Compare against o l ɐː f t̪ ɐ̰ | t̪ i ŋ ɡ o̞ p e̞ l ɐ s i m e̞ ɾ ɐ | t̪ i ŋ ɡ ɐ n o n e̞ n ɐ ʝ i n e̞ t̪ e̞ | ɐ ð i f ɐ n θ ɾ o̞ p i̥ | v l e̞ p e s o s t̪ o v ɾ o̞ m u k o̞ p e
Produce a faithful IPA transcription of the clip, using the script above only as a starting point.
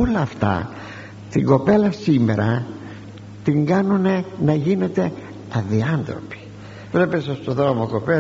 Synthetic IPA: o l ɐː f t̪ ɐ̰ | t̪ i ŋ ɡ o̞ p e̞ l ɐ s i m e̞ ɾ ɐ | t̪ i ŋ ɡ ɐ n u n e̞ n ɐ ʝ i n e̞ t̪ e̞ | ɐ ð i ɐ n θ ɾ o̞ p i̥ | v l e̞ p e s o s t̪ o ð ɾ o̞ m o k o̞ p e